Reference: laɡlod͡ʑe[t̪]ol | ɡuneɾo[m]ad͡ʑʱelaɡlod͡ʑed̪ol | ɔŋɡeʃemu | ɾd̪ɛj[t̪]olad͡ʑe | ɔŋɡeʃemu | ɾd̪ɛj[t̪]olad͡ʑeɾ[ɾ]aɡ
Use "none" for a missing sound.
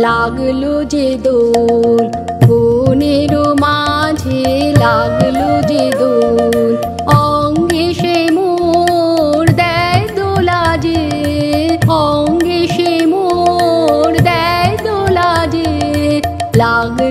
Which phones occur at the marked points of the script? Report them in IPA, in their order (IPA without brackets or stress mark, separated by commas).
d̪, m, d̪, d̪, l